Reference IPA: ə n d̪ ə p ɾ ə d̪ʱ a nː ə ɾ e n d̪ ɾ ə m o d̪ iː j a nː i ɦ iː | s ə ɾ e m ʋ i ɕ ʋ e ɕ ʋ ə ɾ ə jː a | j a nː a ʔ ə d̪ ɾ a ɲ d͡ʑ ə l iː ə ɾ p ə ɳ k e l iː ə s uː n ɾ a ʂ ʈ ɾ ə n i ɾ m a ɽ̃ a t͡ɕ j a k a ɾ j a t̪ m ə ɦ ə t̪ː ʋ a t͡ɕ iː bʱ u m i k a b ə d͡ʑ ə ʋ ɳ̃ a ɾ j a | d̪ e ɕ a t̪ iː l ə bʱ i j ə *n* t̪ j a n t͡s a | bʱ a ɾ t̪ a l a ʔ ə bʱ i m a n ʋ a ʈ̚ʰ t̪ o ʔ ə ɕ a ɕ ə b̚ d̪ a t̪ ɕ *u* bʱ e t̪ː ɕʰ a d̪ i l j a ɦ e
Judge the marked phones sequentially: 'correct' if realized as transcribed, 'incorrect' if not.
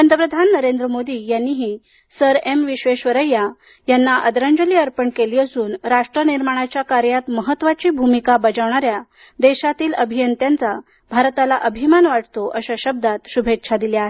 correct, correct

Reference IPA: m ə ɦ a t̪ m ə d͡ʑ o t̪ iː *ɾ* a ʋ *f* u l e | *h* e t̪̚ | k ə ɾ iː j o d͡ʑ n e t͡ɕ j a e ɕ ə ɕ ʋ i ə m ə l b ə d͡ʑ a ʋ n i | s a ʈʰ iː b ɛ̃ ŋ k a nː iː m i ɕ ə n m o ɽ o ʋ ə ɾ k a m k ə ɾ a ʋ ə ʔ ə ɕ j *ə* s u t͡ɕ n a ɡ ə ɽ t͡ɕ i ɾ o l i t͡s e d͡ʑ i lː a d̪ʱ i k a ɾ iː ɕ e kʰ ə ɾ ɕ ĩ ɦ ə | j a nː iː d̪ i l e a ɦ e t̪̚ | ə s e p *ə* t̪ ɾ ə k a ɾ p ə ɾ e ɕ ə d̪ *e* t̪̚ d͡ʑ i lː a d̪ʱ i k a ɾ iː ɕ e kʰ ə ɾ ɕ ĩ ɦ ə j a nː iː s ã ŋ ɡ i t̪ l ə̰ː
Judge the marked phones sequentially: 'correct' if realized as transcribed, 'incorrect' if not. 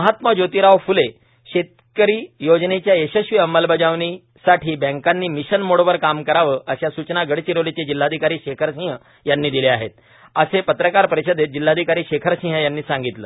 correct, correct, incorrect: ɕ, incorrect: a, correct, correct

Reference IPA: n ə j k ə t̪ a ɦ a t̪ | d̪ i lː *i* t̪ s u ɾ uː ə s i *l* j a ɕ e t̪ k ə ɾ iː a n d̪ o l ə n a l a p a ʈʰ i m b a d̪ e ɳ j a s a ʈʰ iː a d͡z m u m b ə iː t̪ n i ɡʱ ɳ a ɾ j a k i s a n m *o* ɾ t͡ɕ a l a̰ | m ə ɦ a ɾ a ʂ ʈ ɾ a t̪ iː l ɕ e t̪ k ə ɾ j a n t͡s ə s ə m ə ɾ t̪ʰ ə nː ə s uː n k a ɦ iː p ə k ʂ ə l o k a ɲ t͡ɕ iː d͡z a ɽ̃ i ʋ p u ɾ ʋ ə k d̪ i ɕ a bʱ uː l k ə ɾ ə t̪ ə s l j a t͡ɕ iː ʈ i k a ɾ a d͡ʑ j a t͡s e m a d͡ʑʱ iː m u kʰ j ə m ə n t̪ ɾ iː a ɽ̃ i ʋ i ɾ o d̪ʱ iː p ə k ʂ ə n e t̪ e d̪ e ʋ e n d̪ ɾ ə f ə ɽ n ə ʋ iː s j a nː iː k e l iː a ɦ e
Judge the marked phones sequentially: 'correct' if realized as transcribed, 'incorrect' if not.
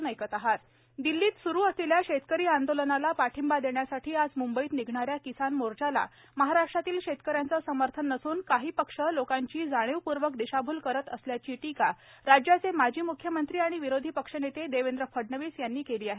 incorrect: iː, correct, correct

